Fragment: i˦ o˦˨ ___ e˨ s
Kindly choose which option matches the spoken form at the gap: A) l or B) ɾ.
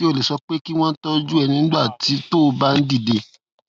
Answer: A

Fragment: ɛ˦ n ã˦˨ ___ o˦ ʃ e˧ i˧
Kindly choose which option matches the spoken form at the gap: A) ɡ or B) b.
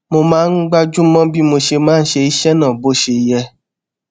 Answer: B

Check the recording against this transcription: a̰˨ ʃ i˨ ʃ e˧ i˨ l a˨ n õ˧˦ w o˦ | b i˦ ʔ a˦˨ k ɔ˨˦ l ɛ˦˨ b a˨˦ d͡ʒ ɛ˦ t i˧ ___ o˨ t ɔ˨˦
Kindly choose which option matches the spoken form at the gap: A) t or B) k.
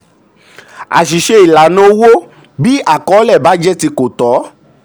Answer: B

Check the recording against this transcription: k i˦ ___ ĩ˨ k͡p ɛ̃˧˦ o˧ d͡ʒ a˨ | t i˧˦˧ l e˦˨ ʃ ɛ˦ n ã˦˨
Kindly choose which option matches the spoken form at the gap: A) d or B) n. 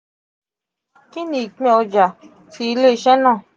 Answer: B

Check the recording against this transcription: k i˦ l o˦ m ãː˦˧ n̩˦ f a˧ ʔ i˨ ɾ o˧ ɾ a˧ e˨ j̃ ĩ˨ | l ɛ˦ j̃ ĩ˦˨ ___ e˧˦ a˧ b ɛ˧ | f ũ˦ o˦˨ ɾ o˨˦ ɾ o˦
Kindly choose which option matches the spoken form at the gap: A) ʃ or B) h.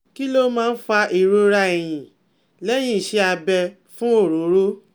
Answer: A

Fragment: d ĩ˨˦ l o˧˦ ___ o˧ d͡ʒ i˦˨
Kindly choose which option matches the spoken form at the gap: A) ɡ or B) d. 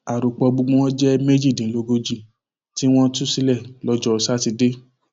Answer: A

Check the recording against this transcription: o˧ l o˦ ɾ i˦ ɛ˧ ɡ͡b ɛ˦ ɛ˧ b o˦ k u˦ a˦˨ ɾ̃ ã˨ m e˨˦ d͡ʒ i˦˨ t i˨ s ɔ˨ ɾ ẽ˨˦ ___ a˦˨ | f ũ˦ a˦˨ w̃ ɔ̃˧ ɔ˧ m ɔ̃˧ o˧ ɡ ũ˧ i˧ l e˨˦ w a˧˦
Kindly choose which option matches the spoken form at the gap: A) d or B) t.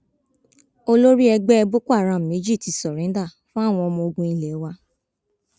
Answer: A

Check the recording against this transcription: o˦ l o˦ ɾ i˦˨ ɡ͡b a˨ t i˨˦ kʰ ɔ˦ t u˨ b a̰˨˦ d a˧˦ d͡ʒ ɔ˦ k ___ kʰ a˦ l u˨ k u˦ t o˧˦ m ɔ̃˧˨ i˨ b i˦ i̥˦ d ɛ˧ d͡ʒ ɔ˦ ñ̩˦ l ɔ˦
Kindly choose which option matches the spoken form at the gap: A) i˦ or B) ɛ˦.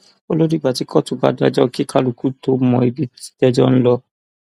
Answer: A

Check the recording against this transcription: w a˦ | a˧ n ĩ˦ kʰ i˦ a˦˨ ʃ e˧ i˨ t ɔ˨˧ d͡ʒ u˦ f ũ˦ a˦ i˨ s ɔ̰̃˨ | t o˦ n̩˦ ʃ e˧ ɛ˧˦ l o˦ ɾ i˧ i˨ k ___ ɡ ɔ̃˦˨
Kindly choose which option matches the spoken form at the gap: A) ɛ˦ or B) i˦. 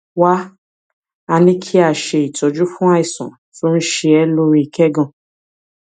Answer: A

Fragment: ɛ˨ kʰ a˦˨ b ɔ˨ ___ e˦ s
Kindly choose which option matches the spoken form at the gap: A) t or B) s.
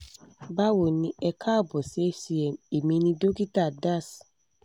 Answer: B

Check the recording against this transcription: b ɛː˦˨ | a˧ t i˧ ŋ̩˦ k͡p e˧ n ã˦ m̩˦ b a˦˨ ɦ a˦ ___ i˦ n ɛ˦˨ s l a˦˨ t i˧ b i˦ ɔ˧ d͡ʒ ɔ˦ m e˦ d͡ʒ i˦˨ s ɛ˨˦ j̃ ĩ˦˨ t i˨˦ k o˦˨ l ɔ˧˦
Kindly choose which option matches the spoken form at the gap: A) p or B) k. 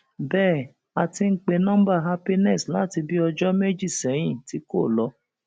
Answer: A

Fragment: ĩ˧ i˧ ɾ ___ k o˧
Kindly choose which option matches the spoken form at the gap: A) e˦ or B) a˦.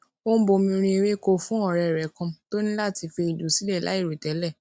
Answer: A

